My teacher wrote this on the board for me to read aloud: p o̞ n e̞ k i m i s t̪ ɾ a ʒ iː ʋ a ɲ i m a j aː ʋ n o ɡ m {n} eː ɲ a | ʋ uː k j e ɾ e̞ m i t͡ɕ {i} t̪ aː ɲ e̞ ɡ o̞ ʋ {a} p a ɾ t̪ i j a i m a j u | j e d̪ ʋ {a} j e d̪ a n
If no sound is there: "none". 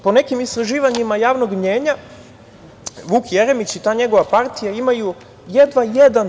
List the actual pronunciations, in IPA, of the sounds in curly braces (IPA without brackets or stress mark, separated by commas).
ɲ, i, a, a